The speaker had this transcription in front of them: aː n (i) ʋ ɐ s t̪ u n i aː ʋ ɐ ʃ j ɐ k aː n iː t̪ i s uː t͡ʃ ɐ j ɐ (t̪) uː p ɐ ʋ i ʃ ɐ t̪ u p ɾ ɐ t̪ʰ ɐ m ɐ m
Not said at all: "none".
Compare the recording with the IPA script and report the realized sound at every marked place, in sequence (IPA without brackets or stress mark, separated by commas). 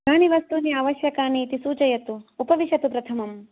i, t̪